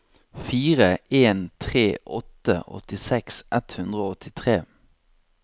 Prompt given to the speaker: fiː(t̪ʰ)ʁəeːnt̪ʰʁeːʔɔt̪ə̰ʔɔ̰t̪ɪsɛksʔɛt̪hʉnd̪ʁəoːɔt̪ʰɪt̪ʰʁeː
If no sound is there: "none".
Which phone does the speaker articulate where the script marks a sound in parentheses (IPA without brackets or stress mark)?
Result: none